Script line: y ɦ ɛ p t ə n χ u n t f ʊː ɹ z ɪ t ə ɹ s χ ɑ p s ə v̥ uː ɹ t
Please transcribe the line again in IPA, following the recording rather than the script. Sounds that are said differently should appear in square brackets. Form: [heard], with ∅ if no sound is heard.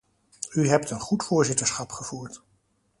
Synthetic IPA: y ɦ ɛ p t ə n χ u [∅] t f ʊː ɹ z ɪ t ə ɹ s χ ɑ p [χ] ə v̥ uː ɹ t

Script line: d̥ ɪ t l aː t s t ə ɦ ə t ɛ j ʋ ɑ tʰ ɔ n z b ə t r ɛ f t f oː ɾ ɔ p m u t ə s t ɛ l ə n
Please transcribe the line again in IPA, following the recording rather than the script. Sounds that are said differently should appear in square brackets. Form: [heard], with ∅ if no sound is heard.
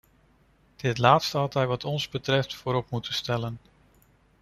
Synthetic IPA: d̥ ɪ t l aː t s t ə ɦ [ɑ] t ɛ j ʋ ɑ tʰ ɔ n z b ə t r ɛ f t f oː ɾ ɔ p m u t ə s t ɛ l ə n

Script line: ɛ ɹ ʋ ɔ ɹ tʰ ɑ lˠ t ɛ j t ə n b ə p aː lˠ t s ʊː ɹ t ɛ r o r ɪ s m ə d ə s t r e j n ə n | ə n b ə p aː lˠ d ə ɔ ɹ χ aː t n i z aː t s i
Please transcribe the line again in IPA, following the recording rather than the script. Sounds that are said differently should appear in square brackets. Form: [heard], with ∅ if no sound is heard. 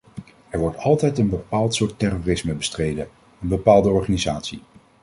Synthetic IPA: ɛ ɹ ʋ ɔ ɹ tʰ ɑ lˠ t ɛ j t ə n b ə p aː lˠ t s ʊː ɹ t ɛ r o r ɪ s m ə [b] ə s t r e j [d] ə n | ə n b ə p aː lˠ d ə ɔ ɹ χ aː [∅] n i z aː t s i

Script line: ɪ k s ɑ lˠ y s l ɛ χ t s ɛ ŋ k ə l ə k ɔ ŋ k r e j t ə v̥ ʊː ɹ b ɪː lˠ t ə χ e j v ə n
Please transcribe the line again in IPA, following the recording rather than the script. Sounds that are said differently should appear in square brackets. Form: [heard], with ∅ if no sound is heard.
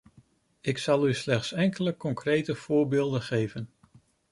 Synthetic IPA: ɪ k s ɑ lˠ y s l ɛ χ t s ɛ ŋ k ə l ə k ɔ ŋ k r e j t ə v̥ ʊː ɹ b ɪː lˠ [d] ə χ e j v ə n

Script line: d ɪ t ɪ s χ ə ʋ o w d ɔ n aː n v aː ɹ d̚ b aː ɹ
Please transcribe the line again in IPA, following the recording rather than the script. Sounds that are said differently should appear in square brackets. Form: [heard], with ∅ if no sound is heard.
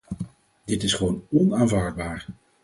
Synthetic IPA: d ɪ t ɪ s χ ə ʋ o w [n] ɔ n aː n v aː ɹ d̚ b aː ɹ

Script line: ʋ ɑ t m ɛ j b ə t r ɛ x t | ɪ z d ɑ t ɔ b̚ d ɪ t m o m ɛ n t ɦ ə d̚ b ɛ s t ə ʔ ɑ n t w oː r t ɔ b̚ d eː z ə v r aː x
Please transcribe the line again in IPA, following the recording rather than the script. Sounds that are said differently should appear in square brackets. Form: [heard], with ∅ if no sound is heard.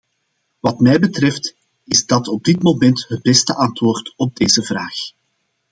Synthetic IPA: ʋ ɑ t m ɛ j b ə t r ɛ [f] t | ɪ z d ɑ t ɔ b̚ d ɪ t m o m ɛ n t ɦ ə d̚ b ɛ s t ə ʔ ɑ n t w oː r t ɔ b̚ d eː z ə v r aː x

